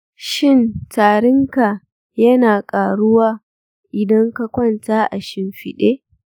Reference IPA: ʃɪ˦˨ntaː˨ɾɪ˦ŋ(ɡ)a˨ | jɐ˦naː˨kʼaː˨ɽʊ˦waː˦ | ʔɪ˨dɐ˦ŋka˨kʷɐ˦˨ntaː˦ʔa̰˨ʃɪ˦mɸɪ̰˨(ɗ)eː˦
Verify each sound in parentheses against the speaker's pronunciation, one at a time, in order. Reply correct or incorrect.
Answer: incorrect: k, correct

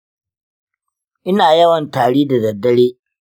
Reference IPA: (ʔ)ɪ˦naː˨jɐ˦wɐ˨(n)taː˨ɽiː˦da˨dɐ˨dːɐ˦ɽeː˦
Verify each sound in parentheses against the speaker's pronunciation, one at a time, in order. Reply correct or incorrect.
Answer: correct, correct

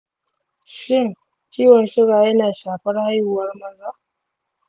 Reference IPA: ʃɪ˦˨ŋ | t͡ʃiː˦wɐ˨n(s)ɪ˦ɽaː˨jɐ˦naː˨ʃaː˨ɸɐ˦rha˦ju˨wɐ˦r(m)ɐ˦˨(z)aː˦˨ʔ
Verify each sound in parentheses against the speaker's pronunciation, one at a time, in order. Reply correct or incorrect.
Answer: incorrect: ʃ, correct, correct

